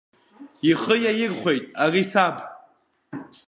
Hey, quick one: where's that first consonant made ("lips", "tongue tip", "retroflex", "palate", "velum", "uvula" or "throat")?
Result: uvula